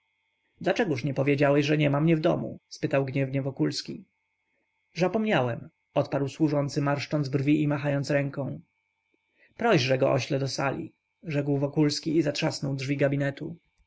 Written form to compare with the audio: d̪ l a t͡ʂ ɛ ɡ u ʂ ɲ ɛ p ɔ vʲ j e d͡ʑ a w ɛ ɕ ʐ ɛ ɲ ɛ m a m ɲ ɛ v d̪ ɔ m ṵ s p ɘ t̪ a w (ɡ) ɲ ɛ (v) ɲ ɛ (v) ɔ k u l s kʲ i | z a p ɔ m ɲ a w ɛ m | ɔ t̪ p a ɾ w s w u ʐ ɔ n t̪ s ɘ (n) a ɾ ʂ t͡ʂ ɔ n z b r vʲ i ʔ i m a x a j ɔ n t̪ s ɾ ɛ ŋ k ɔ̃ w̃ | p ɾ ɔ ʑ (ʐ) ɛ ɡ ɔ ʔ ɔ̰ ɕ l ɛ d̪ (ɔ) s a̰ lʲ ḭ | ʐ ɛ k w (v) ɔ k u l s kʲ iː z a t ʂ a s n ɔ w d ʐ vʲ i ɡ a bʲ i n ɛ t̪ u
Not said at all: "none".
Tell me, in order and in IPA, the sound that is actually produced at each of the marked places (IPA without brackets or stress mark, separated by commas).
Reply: ɡ, v, v, m, ʐ, ɔ, v